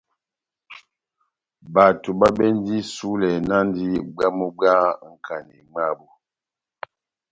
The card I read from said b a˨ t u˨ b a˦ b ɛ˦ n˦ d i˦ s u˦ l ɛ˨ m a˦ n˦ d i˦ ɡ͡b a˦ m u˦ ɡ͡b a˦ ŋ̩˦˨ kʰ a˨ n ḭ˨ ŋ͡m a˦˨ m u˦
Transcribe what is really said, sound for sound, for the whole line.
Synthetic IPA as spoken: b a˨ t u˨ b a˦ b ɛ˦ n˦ d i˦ s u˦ l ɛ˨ n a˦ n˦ d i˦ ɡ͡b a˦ m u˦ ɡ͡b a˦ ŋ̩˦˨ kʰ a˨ n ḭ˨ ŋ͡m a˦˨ b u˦

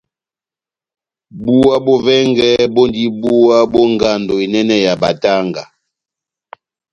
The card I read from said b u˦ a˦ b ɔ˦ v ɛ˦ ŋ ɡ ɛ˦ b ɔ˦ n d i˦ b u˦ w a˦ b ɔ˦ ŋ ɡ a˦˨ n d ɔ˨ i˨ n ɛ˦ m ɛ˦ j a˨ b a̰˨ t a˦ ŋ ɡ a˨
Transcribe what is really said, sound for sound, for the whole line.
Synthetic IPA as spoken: b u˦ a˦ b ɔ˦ v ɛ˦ ŋ ɡ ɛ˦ b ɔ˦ n d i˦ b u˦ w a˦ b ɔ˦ ŋ ɡ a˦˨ n d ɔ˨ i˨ n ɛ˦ n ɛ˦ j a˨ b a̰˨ t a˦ ŋ ɡ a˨

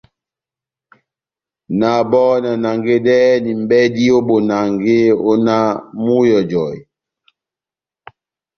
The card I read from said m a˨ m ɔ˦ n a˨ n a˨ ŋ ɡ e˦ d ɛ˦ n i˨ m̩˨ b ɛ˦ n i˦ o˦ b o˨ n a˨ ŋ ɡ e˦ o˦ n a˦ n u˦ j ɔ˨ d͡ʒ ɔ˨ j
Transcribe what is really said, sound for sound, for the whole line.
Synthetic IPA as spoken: n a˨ b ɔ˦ n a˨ n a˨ ŋ ɡ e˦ d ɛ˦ n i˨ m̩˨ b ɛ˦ d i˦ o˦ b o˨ n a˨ ŋ ɡ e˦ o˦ n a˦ m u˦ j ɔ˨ d͡ʒ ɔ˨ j

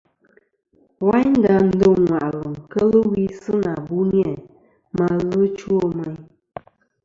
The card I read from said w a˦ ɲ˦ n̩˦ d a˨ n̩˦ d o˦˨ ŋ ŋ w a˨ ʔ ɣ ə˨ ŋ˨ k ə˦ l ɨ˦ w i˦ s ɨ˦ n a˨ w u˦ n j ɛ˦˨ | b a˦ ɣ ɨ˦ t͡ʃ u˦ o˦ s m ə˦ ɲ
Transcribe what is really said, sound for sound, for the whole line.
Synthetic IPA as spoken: w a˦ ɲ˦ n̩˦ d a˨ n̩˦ d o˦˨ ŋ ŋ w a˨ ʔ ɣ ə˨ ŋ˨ k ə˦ l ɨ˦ w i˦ s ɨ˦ n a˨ b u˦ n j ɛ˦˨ | m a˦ ɣ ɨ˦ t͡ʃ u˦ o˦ m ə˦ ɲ

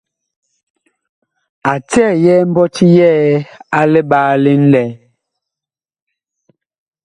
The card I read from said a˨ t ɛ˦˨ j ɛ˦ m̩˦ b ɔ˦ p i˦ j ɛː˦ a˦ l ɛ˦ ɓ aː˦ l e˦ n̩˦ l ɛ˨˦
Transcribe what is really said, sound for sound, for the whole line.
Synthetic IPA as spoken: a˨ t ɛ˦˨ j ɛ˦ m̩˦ b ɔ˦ t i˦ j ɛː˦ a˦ l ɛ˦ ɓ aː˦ l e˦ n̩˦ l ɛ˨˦

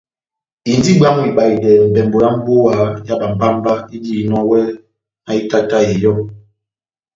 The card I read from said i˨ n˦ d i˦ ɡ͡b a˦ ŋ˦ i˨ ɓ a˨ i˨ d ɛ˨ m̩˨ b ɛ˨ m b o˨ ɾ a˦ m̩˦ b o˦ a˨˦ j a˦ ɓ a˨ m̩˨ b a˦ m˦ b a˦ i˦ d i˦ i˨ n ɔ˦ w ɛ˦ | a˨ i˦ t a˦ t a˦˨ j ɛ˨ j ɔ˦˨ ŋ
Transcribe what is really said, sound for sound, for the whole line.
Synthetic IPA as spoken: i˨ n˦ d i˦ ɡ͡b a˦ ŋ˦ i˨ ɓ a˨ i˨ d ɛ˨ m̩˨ b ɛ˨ m b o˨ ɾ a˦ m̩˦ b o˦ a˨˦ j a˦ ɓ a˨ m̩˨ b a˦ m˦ b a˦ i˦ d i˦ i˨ n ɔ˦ w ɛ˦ | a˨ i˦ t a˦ t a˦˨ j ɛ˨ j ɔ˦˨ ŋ

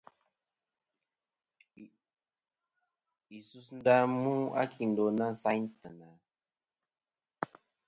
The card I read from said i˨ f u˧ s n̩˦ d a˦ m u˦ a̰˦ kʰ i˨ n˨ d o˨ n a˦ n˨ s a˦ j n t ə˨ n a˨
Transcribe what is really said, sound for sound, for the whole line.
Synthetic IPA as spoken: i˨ s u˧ s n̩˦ d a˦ m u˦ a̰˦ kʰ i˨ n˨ d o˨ n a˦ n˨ s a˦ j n t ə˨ n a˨

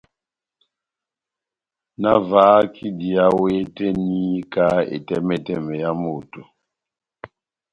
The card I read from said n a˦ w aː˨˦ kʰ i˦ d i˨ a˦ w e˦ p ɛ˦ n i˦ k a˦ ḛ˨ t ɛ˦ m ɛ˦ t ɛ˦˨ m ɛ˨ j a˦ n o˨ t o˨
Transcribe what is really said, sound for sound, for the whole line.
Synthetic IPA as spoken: n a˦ v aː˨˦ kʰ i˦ d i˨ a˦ w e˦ t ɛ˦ n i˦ k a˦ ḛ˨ t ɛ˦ m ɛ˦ t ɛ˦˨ m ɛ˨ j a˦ m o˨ t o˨

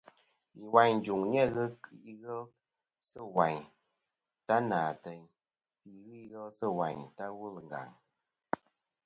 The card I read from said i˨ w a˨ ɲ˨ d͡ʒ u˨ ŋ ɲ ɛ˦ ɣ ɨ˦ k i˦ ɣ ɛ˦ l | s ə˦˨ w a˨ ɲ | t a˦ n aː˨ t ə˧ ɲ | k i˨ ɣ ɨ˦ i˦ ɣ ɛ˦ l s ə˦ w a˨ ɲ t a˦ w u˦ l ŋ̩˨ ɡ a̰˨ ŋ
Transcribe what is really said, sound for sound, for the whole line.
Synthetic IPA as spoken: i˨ w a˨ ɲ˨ d͡ʒ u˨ ŋ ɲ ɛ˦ ɣ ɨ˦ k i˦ ɣ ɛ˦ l | s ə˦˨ w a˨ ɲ | t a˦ n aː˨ t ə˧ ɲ | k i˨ ɣ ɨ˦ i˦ ɣ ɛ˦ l s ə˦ w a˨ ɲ t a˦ w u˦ l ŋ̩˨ ɡ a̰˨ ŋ

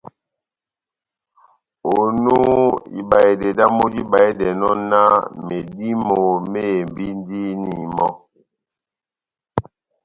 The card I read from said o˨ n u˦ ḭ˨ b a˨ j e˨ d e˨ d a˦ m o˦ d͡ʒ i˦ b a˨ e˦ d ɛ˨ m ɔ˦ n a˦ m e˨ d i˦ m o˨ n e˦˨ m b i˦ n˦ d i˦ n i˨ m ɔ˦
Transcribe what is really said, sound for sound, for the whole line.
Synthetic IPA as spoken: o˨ n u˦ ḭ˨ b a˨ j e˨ d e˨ d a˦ m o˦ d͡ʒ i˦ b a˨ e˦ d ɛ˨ n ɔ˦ n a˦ m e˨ d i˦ m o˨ m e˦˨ m b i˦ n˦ d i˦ n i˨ m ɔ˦

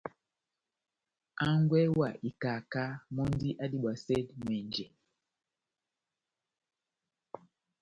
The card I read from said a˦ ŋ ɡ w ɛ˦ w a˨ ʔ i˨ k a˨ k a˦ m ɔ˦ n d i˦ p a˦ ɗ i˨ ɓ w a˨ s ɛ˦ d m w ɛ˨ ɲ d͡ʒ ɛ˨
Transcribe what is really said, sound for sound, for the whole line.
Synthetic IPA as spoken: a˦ ŋ ɡ w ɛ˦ w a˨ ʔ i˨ k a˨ k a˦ m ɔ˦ n d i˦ ʔ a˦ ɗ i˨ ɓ w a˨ s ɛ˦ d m w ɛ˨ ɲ d͡ʒ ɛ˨

